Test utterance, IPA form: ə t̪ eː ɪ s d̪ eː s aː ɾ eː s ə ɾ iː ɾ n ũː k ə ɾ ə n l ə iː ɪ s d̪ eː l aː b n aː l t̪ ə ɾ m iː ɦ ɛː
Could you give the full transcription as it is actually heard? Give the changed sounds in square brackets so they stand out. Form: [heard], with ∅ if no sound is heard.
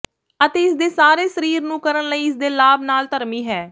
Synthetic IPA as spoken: ə t̪ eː ɪ s d̪ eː s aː ɾ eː s ə ɾ iː ɾ n ũː k ə ɾ ə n l ə iː ɪ s d̪ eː l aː b n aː l t̪ ə ɾ m iː ɦ ɛː

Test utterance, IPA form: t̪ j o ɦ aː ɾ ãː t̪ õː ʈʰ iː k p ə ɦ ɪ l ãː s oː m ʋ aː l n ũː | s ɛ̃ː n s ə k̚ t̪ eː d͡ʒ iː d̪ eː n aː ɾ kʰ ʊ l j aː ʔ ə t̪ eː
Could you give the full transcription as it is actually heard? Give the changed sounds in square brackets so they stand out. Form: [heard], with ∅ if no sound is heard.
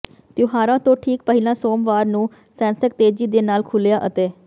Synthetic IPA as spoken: t̪ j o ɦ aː ɾ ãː t̪ õː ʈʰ iː k p ə ɦ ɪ l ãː s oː m ʋ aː [ɾ] n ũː | s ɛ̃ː n s ə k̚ t̪ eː d͡ʒ iː d̪ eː n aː [l] kʰ ʊ l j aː ʔ ə t̪ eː

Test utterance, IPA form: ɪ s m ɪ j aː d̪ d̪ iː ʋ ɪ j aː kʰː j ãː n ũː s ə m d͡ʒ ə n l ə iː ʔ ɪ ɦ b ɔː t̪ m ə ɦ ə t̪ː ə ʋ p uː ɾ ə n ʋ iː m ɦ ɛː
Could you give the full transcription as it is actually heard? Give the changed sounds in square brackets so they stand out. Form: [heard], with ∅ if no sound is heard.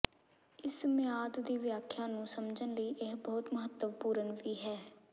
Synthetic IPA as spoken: ɪ s m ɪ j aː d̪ d̪ iː ʋ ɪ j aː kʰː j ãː n ũː s ə m d͡ʒ ə n l ə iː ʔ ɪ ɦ b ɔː t̪ m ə ɦ ə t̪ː ə ʋ p uː ɾ ə n ʋ iː [∅] ɦ ɛː

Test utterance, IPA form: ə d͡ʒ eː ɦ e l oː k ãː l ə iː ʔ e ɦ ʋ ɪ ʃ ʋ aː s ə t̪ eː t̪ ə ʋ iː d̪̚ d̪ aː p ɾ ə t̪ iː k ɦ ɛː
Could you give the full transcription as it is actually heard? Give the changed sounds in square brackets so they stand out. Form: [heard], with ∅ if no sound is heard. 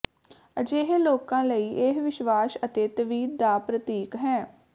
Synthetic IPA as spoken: ə d͡ʒ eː ɦ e l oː k ãː l ə iː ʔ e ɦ ʋ ɪ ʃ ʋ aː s ə t̪ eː t̪ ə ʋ iː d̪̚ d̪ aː p ɾ ə t̪ iː k ɦ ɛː

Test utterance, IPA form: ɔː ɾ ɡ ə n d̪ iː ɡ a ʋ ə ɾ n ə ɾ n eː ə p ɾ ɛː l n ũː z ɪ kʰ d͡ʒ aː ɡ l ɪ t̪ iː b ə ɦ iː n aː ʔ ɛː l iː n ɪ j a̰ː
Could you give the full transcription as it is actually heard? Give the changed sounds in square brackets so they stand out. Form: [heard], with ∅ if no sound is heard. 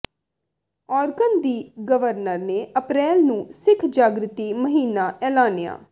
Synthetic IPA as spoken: ɔː ɾ ɡ ə n d̪ iː ɡ [ə] ʋ ə ɾ n ə ɾ n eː ə p ɾ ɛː l n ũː [s] ɪ kʰ d͡ʒ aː ɡ [ɾ] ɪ t̪ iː [m] ə ɦ iː n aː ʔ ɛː l [aː] n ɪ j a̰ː

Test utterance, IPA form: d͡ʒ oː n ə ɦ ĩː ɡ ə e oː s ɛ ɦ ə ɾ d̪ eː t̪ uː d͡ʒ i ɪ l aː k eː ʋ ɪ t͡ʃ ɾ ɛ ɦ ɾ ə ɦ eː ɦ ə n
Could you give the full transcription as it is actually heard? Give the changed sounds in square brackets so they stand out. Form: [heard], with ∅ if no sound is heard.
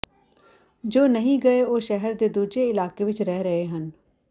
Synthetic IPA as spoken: d͡ʒ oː n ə ɦ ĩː ɡ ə e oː [ʃ] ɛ ɦ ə ɾ d̪ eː [d̪] uː d͡ʒ [e] ɪ l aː k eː ʋ ɪ t͡ʃ ɾ ɛ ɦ ɾ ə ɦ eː ɦ ə n

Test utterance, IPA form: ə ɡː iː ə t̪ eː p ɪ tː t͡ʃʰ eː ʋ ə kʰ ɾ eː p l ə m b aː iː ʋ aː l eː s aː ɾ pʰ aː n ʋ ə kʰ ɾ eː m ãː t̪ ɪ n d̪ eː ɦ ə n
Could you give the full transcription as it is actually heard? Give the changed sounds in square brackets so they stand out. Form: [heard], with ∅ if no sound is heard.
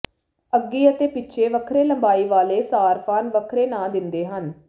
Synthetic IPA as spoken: ə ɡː iː ə t̪ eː p ɪ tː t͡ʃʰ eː ʋ ə kʰ ɾ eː [∅] l ə m b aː iː ʋ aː l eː s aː ɾ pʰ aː n ʋ ə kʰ ɾ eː [n] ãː [d̪] ɪ n d̪ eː ɦ ə n

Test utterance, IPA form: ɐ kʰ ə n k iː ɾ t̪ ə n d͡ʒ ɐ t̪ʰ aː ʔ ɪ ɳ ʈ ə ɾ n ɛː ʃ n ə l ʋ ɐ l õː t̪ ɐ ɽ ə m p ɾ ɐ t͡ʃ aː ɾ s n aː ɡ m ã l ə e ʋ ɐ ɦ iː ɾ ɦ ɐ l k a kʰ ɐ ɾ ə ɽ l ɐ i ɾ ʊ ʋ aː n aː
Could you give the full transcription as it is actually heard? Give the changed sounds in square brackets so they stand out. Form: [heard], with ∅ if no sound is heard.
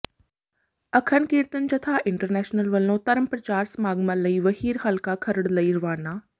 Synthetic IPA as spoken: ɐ kʰ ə n k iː ɾ t̪ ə n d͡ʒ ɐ t̪ʰ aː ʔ ɪ ɳ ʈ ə ɾ n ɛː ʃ n ə l ʋ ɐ l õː t̪ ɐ [ɾ] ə m p ɾ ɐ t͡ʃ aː ɾ s [m] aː ɡ m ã l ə [i] ʋ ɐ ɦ iː ɾ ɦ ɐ l k a kʰ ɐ ɾ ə ɽ l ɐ i ɾ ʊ ʋ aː n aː

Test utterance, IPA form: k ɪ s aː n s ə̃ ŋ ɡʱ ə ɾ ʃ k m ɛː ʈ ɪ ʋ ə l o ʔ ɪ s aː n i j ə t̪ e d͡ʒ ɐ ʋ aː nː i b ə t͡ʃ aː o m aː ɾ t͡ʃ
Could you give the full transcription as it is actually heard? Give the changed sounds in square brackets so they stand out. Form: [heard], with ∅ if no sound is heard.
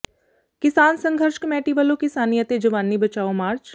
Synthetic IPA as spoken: k ɪ s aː n s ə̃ ŋ ɡʱ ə ɾ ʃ k m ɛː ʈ [i] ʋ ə l o [k] ɪ s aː n i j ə t̪ e d͡ʒ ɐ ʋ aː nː i b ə t͡ʃ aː o m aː ɾ t͡ʃ

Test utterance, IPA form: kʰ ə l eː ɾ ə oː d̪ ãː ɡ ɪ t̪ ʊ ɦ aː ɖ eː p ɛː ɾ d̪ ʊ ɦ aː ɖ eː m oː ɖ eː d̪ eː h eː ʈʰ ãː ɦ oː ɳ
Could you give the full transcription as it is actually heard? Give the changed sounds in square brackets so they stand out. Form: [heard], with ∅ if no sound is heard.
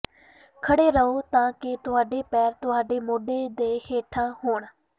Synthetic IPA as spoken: kʰ ə [ɽ] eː ɾ ə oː [t̪] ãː [k] ɪ t̪ ʊ ɦ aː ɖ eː p ɛː ɾ [t̪] ʊ ɦ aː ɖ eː m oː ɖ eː d̪ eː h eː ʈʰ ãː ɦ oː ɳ

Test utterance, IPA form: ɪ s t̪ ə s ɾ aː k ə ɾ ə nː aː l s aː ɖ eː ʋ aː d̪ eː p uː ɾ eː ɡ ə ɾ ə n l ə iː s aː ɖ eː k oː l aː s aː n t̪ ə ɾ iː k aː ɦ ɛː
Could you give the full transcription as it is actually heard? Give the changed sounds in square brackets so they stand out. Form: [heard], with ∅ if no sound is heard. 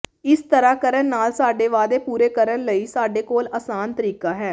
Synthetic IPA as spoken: ɪ s t̪ ə [∅] ɾ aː k ə ɾ ə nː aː l s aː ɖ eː ʋ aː d̪ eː p uː ɾ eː [k] ə ɾ ə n l ə iː s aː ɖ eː k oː l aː s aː n t̪ ə ɾ iː k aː ɦ ɛː

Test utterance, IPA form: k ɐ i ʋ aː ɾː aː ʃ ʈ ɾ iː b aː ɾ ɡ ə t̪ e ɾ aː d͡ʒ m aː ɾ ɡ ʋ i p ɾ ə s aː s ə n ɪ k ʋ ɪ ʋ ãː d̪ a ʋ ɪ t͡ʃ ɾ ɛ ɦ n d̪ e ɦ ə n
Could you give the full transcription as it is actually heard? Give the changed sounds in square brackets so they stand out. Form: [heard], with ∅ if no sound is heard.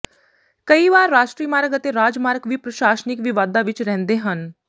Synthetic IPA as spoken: k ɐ i ʋ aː ɾː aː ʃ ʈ ɾ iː [m] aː ɾ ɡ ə t̪ e ɾ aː d͡ʒ m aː ɾ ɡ ʋ i p ɾ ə [ʃ] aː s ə n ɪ k ʋ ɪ ʋ [aː] d̪ a ʋ ɪ t͡ʃ ɾ ɛ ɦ n d̪ e ɦ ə n

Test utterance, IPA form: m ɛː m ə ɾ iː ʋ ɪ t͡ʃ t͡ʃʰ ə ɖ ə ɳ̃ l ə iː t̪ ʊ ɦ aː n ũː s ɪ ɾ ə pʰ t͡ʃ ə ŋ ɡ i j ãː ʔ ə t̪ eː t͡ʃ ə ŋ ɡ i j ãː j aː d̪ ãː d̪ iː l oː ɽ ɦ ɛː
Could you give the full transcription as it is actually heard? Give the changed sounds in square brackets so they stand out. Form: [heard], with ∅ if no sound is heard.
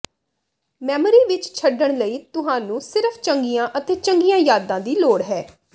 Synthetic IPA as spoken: m ɛː m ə ɾ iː ʋ ɪ t͡ʃ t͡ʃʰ ə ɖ ə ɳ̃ l ə iː t̪ ʊ ɦ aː n ũː s ɪ ɾ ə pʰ t͡ʃ ə ŋ ɡ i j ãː ʔ ə t̪ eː t͡ʃ ə ŋ ɡ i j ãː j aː d̪ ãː d̪ iː l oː ɽ ɦ ɛː

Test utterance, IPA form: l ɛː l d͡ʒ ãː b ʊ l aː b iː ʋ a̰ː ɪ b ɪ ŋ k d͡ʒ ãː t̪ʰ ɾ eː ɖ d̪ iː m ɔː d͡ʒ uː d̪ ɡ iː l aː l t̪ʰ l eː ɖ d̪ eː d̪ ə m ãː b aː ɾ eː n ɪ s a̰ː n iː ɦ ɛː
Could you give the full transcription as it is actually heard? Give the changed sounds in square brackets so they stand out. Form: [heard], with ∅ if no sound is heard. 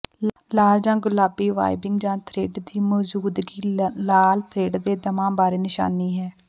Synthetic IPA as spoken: l [aː] l d͡ʒ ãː [ɡ] ʊ l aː b iː ʋ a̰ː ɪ b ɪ ŋ [ɡ] d͡ʒ ãː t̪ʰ ɾ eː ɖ d̪ iː m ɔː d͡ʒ uː d̪ ɡ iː l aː l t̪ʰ [ɾ] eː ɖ d̪ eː d̪ ə m ãː b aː ɾ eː n ɪ [ʃ] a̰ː n iː ɦ ɛː

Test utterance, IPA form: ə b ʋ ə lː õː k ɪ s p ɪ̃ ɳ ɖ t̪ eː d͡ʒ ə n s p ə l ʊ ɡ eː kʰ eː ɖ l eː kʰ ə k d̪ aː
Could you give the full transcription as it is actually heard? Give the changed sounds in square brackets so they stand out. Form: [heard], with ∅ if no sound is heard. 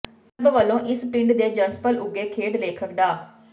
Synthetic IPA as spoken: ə b ʋ ə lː õː [ʔ] ɪ s p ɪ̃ ɳ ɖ [d̪] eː d͡ʒ ə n s p ə l ʊ ɡ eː kʰ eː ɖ l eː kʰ ə k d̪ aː

